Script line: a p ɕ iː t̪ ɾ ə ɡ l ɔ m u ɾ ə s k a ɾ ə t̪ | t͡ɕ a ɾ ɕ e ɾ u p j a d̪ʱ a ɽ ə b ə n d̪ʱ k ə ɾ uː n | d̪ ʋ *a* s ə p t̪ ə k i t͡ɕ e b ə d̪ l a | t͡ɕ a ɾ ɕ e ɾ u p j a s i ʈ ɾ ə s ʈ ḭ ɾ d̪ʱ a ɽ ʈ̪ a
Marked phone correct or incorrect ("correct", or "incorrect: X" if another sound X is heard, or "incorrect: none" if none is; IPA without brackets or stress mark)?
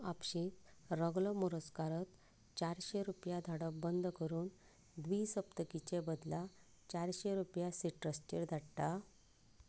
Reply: incorrect: i